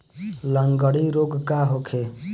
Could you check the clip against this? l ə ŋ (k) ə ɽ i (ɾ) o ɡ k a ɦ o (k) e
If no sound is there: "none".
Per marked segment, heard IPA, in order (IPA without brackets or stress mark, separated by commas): ɡ, ɾ, kʰ